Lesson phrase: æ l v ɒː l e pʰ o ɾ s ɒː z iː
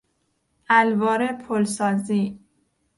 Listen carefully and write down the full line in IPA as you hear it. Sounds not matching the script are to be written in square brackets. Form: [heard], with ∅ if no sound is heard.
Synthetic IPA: æ l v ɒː [ɾ] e pʰ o [l] s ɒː z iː